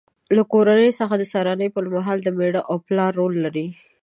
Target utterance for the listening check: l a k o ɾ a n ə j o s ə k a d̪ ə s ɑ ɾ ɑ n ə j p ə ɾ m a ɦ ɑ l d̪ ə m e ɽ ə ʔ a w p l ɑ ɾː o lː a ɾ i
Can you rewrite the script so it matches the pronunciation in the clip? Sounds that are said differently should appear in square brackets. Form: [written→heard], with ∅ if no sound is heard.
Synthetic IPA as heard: l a k o ɾ a n ə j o s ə [k→x] a d̪ ə s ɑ ɾ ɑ n ə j p ə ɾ m a ɦ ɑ l d̪ ə m e ɽ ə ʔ a w p l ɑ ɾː o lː a ɾ i

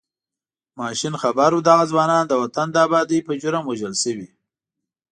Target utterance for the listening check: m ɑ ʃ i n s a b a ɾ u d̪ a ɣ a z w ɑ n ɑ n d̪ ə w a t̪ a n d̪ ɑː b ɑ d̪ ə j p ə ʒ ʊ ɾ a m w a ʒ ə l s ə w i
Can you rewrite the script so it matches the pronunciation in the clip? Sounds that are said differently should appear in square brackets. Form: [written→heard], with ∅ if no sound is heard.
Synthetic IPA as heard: m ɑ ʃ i n [s→x] a b a ɾ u d̪ a ɣ a z w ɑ n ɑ n d̪ ə w a t̪ a n d̪ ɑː b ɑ d̪ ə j p ə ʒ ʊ ɾ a m w a ʒ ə l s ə w i

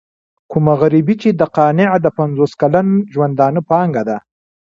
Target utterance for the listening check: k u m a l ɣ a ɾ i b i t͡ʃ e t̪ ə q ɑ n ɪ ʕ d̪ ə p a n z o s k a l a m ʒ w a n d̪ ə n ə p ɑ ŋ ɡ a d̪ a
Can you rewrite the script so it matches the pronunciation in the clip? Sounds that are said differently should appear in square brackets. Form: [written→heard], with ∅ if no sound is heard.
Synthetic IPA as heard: k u m a [l→∅] ɣ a ɾ i b i t͡ʃ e [t̪→d̪] ə q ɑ n ɪ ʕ d̪ ə p a n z o s k a l a [m→n] ʒ w a n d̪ [ə→ɑ] n ə p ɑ ŋ ɡ a d̪ a

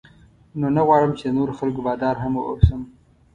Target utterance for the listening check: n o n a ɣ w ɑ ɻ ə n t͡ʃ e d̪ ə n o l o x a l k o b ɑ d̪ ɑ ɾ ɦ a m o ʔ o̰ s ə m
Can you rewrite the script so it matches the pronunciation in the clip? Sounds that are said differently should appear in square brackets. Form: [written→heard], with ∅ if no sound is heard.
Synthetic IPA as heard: n o n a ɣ w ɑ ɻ ə [n→m] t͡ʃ e d̪ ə n o [l→ɾ] o x a l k o b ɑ d̪ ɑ ɾ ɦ a m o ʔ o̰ s ə m

